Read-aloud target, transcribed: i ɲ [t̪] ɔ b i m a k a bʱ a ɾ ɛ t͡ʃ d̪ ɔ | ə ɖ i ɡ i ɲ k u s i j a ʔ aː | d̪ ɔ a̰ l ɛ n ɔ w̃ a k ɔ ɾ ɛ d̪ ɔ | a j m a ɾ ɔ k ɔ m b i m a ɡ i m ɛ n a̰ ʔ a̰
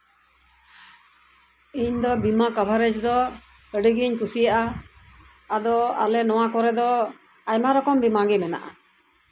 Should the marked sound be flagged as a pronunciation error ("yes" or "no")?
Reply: yes